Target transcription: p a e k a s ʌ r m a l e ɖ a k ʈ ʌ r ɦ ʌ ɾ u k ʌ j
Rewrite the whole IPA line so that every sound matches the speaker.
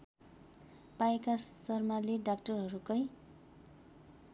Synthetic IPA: p a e k a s ʌ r m a l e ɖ a k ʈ ʌ r ɦ ʌ ɾ u k ʌ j